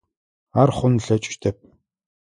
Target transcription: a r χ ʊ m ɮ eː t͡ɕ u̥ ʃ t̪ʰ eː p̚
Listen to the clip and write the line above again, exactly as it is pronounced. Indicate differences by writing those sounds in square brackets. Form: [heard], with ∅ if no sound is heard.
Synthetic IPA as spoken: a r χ ʊ [n] ɮ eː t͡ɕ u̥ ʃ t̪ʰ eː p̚